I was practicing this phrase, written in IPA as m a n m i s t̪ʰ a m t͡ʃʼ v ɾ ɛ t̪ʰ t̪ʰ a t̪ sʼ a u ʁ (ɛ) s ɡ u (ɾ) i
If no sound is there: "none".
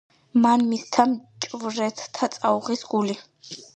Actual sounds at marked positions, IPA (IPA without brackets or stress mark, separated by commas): i, l